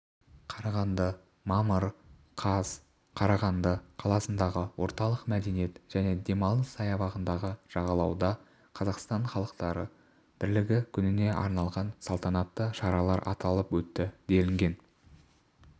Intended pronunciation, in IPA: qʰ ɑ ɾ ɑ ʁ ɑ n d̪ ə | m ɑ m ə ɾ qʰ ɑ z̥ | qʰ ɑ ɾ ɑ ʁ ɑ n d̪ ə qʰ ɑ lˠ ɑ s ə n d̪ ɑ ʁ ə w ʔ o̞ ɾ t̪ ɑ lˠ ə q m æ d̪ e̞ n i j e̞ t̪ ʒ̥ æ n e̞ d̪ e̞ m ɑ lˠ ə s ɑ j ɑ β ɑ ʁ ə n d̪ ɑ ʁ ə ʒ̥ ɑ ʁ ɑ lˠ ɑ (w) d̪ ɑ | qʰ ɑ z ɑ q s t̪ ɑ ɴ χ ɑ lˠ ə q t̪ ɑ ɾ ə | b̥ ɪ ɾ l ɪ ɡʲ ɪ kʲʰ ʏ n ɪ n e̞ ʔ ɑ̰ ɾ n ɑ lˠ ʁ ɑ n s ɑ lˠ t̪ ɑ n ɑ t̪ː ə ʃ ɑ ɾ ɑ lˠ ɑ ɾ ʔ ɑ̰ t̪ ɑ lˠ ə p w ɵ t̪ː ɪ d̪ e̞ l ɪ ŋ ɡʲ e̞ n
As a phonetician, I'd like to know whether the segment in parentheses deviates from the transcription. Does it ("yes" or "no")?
no